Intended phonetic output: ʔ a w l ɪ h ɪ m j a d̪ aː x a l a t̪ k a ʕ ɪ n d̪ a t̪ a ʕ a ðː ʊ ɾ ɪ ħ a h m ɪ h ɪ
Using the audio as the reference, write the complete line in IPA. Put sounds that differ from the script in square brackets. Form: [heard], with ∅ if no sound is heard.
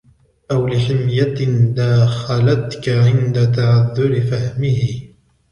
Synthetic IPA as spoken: ʔ a w l ɪ [ħ] ɪ m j a d̪ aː x a l a t̪ k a ʕ ɪ n d̪ a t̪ a ʕ a ðː ʊ ɾ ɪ [f] a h m ɪ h ɪ